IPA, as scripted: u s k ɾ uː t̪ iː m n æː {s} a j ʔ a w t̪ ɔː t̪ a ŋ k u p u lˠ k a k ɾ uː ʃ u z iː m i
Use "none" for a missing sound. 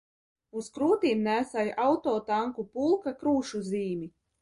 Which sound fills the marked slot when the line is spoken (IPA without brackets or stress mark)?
s